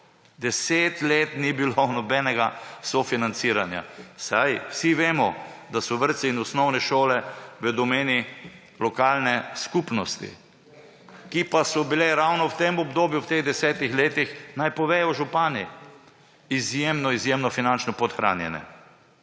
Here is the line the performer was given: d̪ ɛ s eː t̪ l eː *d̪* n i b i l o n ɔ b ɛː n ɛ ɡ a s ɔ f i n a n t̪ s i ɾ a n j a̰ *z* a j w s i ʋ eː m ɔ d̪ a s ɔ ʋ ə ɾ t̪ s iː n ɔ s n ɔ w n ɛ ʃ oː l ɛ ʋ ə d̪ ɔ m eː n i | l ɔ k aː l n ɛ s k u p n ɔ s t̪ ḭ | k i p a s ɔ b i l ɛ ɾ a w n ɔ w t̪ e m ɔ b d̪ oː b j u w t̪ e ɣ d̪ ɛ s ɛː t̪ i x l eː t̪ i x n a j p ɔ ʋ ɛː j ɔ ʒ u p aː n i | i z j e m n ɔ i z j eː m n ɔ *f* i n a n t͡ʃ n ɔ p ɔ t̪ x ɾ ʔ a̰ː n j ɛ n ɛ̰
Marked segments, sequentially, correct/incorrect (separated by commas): incorrect, incorrect, correct